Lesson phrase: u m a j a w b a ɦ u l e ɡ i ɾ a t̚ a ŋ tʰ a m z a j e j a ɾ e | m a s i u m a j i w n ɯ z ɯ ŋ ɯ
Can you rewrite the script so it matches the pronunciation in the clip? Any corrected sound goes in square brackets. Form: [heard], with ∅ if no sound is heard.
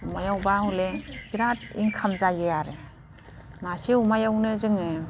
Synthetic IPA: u m a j a w b a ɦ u l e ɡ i ɾ a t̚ [i] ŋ [kʰ] a m z a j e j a ɾ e | m a s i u m a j [a] w n ɯ z ɯ ŋ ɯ